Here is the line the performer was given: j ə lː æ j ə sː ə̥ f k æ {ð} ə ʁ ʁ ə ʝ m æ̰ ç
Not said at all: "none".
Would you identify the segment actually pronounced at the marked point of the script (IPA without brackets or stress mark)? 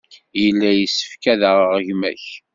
ð